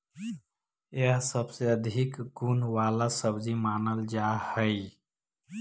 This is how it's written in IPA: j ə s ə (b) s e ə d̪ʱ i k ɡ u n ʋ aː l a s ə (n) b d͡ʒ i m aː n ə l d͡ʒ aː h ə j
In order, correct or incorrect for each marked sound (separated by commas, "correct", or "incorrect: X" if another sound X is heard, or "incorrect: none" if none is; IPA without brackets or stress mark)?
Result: correct, incorrect: none